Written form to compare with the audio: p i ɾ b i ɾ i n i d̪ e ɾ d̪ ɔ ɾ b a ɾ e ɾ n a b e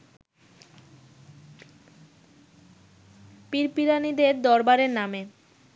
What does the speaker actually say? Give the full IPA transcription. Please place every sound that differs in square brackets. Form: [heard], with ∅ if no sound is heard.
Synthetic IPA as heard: p i ɾ [p] i ɾ [a] n i d̪ e ɾ d̪ ɔ ɾ b a ɾ e ɾ n a [m] e

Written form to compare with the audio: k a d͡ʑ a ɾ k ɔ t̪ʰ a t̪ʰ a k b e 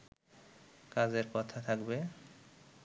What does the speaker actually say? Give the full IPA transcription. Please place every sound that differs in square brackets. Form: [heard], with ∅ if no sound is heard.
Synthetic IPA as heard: k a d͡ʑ [e] ɾ k ɔ t̪ʰ a t̪ʰ a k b e

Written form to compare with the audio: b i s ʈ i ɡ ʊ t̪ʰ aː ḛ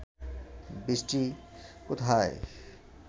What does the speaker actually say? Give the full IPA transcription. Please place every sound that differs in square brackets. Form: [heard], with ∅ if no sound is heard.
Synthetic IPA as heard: b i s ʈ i [k] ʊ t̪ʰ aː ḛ

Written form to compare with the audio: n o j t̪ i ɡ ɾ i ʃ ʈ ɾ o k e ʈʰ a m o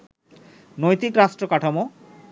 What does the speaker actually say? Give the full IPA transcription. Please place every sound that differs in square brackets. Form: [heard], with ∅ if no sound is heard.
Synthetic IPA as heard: n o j t̪ i [k] ɾ [a] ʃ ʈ ɾ o k [a] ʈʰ a m o

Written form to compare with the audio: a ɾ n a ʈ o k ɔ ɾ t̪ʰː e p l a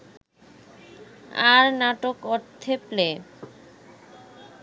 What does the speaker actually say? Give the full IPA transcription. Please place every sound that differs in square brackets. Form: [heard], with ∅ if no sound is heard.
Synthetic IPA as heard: a ɾ n a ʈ o k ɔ ɾ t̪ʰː e p l [e]

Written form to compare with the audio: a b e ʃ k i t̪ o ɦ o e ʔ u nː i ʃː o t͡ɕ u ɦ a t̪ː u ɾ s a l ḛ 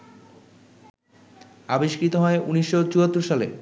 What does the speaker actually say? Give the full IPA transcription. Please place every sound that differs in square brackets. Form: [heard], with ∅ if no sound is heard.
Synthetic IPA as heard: a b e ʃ k i t̪ o ɦ [ɔ] e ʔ u [n] i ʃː o t͡ɕ u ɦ a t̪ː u ɾ [ʃ] a l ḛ

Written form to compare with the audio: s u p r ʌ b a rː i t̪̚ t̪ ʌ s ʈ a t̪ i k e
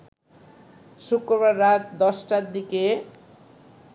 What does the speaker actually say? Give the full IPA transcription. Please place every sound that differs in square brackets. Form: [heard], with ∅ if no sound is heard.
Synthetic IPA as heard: s u [k] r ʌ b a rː [a] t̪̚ [d̪] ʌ s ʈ a [d̪] i k e

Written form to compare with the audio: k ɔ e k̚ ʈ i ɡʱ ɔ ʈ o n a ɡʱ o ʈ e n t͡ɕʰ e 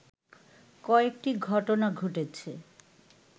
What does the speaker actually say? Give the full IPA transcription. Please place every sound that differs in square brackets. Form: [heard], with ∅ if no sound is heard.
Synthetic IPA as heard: k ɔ e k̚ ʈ i ɡʱ ɔ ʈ o n a ɡʱ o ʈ e [∅] t͡ɕʰ e

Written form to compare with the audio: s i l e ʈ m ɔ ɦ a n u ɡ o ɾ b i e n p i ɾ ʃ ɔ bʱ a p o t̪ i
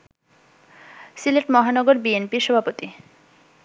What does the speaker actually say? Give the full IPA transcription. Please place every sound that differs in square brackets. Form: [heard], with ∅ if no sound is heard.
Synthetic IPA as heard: s i l e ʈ m ɔ ɦ a n [ɔ] ɡ o ɾ b i e n p i ɾ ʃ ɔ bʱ a p o t̪ i

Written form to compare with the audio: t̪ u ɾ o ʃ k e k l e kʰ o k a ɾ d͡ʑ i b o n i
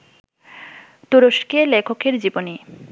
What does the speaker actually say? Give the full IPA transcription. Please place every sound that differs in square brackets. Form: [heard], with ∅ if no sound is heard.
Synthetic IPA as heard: t̪ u ɾ o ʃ k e [∅] l e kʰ o k [e] ɾ d͡ʑ i b o n i

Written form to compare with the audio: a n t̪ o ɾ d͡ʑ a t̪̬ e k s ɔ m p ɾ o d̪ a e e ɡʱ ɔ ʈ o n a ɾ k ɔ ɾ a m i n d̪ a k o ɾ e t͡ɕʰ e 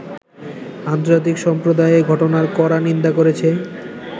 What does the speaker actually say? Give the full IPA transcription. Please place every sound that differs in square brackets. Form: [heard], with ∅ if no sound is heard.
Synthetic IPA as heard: a n t̪ o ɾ d͡ʑ a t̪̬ [i] k [ʃ] ɔ m p ɾ o d̪ a e e ɡʱ ɔ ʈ o n a ɾ k ɔ ɾ a [n] i n d̪ a k o ɾ e t͡ɕʰ e

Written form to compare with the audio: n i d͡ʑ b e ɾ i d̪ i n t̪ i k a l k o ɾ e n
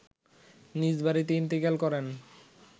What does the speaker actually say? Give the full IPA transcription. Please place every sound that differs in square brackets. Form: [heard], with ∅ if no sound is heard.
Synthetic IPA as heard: n i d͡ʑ b [a] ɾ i [t̪] i n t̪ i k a l k [ɔ] ɾ e n

